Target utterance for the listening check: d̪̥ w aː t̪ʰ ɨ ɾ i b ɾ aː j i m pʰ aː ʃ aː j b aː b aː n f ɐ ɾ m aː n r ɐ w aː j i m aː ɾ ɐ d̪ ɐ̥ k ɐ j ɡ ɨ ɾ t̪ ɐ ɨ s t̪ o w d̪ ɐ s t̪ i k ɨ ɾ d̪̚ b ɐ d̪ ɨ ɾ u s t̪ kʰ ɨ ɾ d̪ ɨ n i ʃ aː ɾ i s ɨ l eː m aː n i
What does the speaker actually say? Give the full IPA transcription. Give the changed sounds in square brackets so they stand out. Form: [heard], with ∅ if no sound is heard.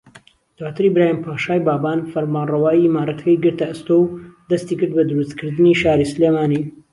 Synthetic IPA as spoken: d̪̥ w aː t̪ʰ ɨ ɾ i b ɾ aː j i m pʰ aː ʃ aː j b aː b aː n f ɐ ɾ m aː n r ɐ w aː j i m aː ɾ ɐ [t̪] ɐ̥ k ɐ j ɡ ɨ ɾ t̪ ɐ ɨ s t̪ o w d̪ ɐ s t̪ i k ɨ ɾ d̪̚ b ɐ d̪ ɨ ɾ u s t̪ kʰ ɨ ɾ d̪ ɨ n i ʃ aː ɾ i s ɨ l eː m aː n i